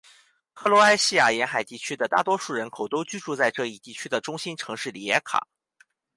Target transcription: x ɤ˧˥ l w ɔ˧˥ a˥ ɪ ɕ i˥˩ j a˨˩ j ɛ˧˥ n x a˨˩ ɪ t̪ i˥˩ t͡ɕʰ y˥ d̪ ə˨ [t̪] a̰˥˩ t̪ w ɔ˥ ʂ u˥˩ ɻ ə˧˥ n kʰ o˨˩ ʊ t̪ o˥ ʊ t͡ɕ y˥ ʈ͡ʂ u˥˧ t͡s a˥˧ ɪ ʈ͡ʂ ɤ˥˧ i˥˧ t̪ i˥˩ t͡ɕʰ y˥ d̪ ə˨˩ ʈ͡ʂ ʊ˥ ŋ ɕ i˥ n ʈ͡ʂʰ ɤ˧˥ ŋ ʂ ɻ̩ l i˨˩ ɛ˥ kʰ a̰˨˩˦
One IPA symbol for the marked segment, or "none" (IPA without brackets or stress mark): t̪